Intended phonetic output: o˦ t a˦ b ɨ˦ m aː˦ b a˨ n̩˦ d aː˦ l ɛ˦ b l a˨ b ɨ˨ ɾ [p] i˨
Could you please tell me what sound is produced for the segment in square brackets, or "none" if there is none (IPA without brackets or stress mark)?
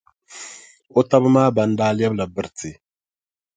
t